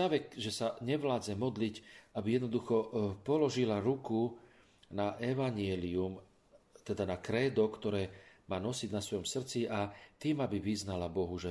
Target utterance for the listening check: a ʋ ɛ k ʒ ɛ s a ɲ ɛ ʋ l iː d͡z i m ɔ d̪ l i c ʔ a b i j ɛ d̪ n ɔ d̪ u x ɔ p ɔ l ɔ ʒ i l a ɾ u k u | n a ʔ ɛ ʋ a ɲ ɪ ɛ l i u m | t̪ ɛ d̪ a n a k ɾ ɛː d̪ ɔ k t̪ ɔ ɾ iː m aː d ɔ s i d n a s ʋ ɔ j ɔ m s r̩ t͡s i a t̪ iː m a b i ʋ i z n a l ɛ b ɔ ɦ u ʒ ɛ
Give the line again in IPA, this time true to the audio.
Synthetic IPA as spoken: a ʋ ɛ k ʒ ɛ s a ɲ ɛ ʋ l aː d͡z ɛ m ɔ d̪ l i c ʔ a b i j ɛ d̪ n ɔ d̪ u x ɔ p ɔ l ɔ ʒ i l a ɾ u k u | n a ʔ ɛ ʋ a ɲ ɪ ɛ l i u m | t̪ ɛ d̪ a n a k ɾ ɛː d̪ ɔ k t̪ ɔ ɾ ɛː m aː n ɔ s i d n a s ʋ ɔ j ɔ m s r̩ t͡s i a t̪ iː m a b i ʋ i z n a l a b ɔ ɦ u ʒ ɛ